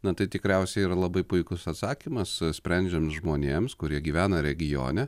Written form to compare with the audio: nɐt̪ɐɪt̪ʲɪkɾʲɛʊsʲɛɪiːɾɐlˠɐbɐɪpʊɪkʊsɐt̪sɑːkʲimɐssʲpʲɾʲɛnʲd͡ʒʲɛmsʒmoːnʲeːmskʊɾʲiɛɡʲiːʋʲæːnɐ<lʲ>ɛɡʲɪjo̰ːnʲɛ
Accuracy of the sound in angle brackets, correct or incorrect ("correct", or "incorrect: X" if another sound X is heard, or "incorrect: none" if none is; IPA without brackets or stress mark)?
incorrect: ɾʲ